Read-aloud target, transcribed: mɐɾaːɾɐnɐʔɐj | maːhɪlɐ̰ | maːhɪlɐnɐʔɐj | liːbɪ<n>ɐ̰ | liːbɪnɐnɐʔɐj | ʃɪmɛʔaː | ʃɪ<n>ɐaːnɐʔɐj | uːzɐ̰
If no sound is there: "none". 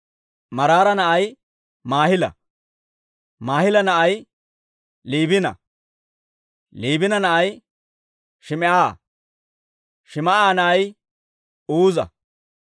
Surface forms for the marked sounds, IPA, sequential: n, m

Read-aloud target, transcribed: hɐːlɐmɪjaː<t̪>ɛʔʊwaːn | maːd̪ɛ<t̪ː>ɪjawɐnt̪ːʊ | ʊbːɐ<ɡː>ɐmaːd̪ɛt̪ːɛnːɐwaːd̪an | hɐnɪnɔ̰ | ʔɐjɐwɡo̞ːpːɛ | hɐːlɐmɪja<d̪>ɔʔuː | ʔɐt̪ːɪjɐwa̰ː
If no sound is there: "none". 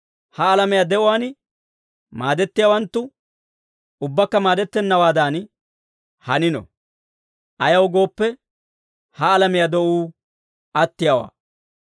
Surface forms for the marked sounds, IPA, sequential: d̪, t̪ː, kː, d̪

